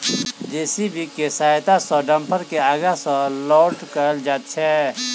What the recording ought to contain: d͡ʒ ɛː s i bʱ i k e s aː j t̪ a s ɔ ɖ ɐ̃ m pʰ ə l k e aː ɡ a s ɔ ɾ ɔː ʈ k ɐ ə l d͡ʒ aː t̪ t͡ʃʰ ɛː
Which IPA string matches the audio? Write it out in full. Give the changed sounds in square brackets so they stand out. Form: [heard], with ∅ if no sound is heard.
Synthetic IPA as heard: d͡ʒ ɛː s i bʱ i k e s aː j t̪ a s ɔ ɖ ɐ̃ m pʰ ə [ɾ] k e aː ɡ a s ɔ [l] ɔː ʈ k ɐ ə l d͡ʒ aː t̪ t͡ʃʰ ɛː